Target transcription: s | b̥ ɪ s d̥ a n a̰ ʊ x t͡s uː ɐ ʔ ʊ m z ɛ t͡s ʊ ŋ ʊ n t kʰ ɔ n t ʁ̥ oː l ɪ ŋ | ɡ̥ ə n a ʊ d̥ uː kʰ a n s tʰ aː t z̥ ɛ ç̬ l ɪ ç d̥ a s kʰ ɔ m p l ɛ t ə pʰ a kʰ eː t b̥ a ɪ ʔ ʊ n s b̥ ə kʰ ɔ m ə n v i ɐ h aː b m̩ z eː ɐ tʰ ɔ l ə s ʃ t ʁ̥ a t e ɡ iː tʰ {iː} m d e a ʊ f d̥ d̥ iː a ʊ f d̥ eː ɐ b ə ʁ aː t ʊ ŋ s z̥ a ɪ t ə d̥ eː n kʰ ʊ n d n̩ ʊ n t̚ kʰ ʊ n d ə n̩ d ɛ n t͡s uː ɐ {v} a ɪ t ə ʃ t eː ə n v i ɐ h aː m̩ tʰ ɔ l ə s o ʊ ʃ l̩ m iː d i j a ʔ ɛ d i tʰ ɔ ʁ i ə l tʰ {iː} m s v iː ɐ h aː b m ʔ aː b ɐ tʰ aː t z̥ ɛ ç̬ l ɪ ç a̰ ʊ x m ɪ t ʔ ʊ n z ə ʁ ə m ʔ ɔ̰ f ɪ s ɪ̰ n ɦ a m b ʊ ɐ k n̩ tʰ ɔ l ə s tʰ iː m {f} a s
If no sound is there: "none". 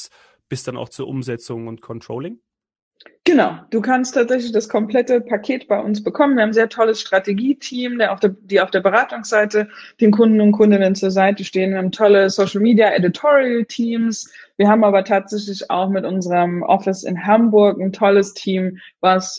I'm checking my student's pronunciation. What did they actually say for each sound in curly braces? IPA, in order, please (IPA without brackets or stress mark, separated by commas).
iː, z, iː, v